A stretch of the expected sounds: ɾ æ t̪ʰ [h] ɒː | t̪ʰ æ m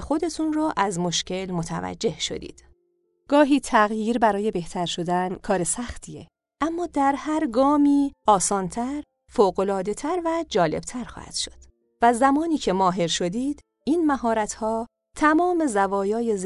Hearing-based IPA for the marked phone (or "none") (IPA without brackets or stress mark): h